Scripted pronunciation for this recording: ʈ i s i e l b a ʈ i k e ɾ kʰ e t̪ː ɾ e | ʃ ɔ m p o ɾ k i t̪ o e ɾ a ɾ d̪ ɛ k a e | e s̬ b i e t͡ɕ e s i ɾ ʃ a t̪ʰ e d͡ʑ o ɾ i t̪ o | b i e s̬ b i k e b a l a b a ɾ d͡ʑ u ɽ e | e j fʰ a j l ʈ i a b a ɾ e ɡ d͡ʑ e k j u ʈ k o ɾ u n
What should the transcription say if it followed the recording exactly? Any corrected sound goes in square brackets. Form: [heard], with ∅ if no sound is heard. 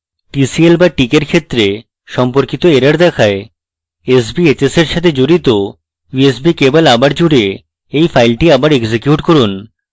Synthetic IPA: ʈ i s i e l b a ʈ i k e ɾ kʰ e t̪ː ɾ e | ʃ ɔ m p o ɾ k i t̪ o e ɾ a ɾ d̪ ɛ [kʰ] a e | e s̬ b i e t͡ɕ e s [e] ɾ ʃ a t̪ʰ e d͡ʑ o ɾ i t̪ o | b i e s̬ b i k e b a l a b a ɾ d͡ʑ u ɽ e | e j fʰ a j l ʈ i a b a ɾ e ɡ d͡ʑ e k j u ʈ k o ɾ u n